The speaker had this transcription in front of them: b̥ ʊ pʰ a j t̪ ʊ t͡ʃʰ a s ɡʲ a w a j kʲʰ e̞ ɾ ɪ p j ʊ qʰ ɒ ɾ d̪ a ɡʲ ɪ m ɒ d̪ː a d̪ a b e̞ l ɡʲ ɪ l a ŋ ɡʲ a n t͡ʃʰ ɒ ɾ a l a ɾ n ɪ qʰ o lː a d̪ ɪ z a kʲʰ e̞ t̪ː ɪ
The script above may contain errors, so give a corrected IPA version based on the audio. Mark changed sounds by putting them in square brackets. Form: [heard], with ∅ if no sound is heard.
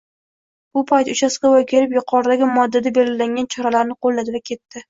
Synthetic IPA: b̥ ʊ pʰ a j t̪ ʊ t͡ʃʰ a s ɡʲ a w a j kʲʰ e̞ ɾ ɪ p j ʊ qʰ ɒ ɾ d̪ a ɡʲ ɪ m ɒ d̪ː a d̪ a b e̞ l ɡʲ ɪ l a ŋ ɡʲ a n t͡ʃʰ ɒ ɾ a l a ɾ n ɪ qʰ o lː a d̪ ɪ [v] a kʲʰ e̞ t̪ː ɪ